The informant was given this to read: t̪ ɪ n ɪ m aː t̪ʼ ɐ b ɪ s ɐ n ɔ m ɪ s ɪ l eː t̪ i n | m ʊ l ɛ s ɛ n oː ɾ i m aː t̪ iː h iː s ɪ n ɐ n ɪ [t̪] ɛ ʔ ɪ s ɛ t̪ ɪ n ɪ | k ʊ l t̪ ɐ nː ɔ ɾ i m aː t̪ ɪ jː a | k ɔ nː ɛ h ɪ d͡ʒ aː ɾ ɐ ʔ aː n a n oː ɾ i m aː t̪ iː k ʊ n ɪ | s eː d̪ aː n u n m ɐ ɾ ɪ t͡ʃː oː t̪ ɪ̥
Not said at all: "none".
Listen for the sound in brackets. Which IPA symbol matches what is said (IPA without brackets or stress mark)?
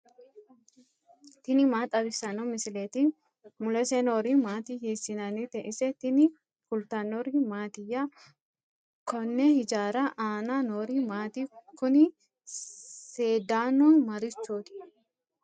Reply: t̪